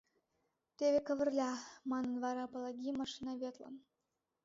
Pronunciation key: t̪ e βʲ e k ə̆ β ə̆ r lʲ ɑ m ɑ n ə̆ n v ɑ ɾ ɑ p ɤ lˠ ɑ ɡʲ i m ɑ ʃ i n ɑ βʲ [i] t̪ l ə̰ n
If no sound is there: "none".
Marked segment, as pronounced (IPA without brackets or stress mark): e